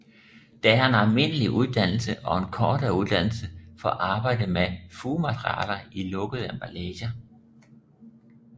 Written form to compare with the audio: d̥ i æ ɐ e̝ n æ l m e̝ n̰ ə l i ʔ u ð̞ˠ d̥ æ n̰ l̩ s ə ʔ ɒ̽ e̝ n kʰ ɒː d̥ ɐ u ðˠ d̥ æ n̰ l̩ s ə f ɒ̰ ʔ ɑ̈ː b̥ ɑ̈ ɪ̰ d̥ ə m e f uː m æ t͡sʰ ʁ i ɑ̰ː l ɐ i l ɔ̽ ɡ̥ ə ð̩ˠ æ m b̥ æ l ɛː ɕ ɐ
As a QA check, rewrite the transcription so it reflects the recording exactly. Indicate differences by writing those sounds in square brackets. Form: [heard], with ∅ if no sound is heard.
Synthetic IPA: d̥ [æ] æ ɐ e̝ n æ l m e̝ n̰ ə l i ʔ u ð̞ˠ d̥ æ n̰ l̩ s ə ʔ ɒ̽ e̝ n kʰ ɒː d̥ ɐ u ðˠ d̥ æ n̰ l̩ s ə f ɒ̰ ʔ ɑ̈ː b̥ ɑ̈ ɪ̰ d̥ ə m e f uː m æ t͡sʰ ʁ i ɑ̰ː l ɐ i l ɔ̽ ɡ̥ ə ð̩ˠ æ m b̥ æ l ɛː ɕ ɐ